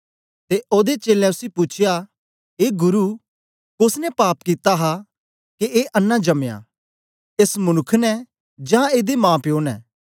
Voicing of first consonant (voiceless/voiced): voiceless